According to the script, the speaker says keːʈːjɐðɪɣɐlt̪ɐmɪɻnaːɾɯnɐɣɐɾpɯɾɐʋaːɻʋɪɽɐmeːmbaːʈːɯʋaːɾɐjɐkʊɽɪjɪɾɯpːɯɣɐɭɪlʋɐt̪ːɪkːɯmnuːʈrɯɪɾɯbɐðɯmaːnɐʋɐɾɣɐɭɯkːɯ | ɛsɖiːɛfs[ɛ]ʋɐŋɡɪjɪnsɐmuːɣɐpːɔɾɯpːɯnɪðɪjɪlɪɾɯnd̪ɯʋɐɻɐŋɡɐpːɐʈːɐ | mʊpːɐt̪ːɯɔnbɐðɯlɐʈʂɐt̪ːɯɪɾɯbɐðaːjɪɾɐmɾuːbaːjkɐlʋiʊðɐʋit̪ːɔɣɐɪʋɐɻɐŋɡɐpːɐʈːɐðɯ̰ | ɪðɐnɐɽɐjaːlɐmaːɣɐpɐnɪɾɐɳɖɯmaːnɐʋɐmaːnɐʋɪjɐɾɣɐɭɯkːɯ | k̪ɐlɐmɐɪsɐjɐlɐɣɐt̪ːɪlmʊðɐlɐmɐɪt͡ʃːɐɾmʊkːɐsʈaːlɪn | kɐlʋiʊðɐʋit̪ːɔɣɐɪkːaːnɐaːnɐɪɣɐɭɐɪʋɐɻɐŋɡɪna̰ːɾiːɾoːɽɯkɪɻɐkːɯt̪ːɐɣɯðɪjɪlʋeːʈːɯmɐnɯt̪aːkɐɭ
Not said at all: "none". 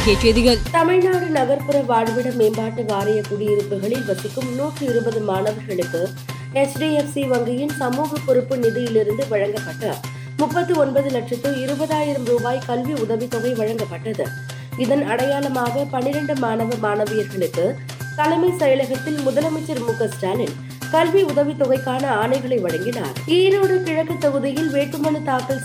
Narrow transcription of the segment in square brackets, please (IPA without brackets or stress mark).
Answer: i